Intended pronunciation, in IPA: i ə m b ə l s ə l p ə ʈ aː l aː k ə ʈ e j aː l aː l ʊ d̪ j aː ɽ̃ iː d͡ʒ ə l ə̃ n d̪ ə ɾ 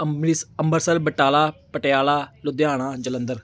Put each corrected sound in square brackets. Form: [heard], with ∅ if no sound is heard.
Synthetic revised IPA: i ə m b ə [ɾ] s ə l [b] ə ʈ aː l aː [p] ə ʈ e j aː l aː l ʊ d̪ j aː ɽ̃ [aː] d͡ʒ ə l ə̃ n d̪ ə ɾ